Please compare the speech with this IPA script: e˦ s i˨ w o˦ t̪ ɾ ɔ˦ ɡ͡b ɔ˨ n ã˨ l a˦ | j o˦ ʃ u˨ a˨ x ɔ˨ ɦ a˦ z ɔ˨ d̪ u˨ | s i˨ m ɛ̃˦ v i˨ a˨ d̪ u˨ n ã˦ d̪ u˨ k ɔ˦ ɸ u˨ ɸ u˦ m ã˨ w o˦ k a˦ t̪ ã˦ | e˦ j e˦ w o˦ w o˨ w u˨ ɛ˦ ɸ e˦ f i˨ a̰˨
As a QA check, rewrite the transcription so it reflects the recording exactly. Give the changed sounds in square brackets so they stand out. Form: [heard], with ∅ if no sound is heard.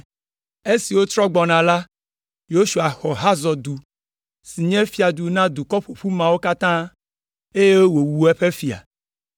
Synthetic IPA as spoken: e˦ s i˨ w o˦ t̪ ɾ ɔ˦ ɡ͡b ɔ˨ n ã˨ l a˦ | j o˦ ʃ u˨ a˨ x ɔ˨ ɦ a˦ z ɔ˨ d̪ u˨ | s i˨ [ɲ] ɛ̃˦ [f] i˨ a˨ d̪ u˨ n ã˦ d̪ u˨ k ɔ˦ ɸ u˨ ɸ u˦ m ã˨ w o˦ k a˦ t̪ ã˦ | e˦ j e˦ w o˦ w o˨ w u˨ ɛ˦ ɸ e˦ f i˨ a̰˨